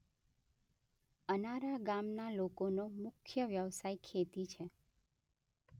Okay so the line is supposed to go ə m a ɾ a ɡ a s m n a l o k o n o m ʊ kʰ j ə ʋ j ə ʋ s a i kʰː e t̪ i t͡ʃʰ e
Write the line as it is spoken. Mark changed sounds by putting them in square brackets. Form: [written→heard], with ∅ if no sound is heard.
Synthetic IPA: ə [m→n] a ɾ a ɡ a [s→∅] m n a l o k o n o m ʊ kʰ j ə ʋ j ə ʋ s a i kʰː e t̪ i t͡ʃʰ e